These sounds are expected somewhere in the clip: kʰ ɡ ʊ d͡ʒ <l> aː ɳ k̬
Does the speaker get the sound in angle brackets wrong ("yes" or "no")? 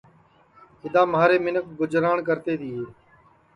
yes